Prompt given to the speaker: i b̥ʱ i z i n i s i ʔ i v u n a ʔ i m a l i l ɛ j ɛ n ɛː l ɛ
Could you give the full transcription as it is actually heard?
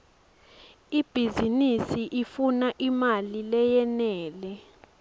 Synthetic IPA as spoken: i b̥ʱ i z i n i s i ʔ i f u n a ʔ i m a l i l ɛ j ɛ n ɛː l ɛ